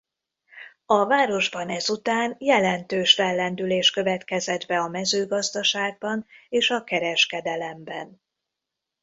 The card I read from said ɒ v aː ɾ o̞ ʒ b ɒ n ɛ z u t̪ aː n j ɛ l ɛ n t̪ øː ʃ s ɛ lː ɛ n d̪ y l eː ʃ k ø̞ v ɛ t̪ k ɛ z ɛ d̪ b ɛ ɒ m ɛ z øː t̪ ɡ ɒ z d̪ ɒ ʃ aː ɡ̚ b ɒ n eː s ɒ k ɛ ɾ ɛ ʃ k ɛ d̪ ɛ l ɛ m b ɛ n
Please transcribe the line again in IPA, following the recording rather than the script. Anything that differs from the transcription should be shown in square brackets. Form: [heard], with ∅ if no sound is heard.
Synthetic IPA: ɒ v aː ɾ o̞ ʒ b ɒ n ɛ z u t̪ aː n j ɛ l ɛ n t̪ øː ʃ [f] ɛ lː ɛ n d̪ y l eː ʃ k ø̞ v ɛ t̪ k ɛ z ɛ d̪ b ɛ ɒ m ɛ z øː [∅] ɡ ɒ z d̪ ɒ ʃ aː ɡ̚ b ɒ n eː [ʃ] ɒ k ɛ ɾ ɛ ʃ k ɛ d̪ ɛ l ɛ m b ɛ n